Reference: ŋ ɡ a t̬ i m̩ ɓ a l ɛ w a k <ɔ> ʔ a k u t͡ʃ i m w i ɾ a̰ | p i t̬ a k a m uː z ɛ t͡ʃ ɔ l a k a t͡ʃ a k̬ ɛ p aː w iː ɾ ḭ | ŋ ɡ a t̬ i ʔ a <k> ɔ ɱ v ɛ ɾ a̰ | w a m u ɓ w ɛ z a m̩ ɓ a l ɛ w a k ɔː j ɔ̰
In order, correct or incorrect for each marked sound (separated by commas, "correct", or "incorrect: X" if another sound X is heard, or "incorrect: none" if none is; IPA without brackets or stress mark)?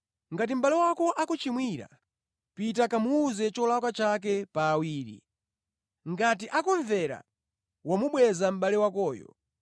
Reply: correct, correct